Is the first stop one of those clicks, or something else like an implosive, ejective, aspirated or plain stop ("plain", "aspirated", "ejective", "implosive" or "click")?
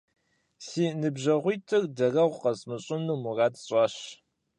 plain